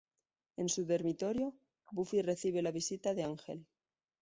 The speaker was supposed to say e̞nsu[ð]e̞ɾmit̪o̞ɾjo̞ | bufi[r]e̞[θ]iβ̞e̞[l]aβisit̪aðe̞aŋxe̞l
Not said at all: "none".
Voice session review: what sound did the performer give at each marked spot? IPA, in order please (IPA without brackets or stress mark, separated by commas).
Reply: ð, r, θ, l